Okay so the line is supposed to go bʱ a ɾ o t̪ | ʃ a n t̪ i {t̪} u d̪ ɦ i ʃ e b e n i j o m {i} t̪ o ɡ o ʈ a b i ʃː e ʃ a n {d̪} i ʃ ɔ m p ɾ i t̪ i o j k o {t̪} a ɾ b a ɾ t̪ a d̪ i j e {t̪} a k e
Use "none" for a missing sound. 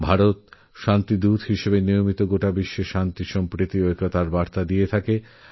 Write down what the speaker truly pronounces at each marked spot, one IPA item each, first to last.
d̪, i, t̪, t̪, t̪ʰ

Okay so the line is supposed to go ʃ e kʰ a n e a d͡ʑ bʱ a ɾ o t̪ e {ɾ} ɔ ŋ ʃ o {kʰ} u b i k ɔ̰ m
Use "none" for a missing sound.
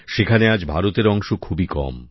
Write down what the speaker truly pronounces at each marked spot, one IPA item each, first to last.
ɾ, kʰ

